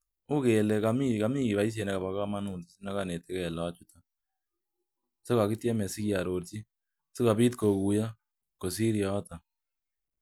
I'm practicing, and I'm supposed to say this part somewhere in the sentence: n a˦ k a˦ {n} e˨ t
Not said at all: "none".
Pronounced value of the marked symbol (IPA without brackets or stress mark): n